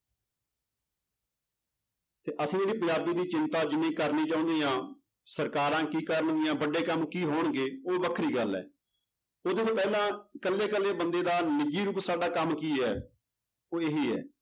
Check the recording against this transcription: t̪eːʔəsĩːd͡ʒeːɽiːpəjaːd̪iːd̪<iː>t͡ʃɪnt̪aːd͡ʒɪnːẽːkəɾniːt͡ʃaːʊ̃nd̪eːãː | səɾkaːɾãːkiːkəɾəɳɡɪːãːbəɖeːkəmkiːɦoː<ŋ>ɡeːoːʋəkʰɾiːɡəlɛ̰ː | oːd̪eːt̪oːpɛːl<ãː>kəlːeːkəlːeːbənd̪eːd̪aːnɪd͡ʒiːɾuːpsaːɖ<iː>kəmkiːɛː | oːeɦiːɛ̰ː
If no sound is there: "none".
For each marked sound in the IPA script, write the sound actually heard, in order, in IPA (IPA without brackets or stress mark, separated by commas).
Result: iː, ɳ, ãː, aː